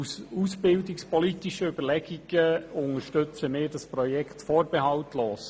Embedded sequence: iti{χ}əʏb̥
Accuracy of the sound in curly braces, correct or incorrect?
incorrect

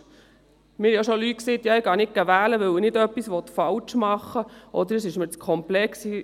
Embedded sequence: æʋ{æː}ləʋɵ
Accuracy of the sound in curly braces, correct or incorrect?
correct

